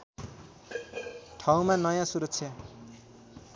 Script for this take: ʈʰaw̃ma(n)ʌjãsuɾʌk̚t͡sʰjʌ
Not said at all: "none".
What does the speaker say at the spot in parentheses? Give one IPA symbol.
n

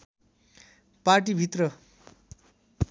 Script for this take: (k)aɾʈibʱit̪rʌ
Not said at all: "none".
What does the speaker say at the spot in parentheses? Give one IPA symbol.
p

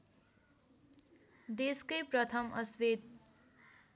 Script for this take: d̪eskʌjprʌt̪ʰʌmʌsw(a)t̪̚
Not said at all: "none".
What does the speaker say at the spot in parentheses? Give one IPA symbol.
e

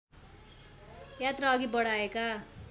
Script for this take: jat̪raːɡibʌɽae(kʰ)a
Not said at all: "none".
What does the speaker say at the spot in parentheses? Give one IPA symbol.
k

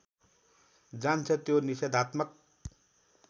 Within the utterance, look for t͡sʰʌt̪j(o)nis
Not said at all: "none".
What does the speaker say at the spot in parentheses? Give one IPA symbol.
o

